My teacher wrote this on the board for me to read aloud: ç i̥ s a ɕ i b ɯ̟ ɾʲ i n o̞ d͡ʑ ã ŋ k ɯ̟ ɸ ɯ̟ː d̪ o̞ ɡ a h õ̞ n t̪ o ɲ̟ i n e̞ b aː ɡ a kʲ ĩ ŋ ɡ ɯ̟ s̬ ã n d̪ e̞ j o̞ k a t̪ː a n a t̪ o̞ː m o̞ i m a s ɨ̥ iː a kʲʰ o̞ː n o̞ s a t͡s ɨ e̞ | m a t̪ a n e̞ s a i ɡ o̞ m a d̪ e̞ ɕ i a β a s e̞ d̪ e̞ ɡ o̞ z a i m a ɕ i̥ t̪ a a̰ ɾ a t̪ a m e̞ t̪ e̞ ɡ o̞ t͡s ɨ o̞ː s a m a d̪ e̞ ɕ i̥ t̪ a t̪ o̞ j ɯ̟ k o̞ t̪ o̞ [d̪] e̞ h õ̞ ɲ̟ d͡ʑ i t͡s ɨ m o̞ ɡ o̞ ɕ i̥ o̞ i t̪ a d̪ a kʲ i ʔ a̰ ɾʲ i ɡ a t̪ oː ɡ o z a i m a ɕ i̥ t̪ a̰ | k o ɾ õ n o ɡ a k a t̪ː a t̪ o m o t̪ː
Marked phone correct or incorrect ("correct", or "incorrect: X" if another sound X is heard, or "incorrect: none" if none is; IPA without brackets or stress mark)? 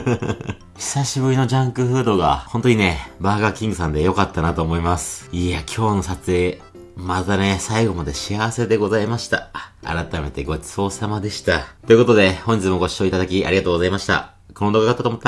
correct